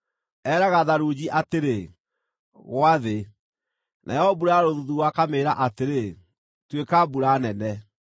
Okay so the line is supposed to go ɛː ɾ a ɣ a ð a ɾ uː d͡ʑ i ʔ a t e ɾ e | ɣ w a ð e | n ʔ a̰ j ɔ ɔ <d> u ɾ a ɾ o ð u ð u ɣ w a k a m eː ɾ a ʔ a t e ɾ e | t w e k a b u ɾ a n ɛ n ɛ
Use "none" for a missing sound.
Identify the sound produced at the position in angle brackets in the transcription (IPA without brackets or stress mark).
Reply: b